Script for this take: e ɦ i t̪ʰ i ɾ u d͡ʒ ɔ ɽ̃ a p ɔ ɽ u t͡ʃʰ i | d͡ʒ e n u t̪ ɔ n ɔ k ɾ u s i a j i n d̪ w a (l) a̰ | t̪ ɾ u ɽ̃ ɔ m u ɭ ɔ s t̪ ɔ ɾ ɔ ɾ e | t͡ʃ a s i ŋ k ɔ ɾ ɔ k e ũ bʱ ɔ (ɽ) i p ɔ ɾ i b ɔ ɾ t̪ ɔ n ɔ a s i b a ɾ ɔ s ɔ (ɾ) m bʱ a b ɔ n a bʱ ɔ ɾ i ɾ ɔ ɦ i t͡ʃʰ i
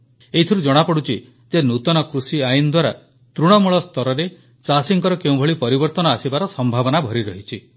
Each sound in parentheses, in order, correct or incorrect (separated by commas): incorrect, incorrect, incorrect